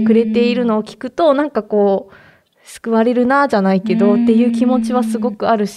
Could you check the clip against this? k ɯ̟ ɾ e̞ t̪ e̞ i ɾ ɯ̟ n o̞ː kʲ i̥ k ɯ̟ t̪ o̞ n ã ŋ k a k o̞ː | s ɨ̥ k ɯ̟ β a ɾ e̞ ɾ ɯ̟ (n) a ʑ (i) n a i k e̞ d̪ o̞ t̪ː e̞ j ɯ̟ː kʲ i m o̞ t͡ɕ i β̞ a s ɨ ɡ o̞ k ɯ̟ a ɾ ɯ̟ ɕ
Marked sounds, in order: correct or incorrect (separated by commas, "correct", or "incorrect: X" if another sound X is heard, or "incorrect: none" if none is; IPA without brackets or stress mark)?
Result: correct, incorrect: a